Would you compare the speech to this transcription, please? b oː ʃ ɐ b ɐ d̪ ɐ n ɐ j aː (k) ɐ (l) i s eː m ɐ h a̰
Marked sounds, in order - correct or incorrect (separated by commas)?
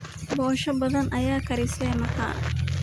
correct, incorrect